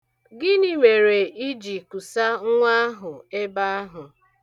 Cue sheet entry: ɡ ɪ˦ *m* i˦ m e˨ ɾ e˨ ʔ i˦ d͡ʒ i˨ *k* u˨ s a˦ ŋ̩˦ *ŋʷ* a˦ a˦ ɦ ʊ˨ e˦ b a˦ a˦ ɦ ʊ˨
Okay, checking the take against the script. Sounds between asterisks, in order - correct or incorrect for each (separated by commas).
incorrect, correct, correct